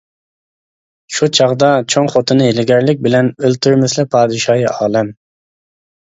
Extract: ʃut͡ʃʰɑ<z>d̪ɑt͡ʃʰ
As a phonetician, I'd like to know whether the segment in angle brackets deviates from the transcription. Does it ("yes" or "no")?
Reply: yes